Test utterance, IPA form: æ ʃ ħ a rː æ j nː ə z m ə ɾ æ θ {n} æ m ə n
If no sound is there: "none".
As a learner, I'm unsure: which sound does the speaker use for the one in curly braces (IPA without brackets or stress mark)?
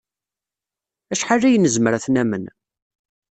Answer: n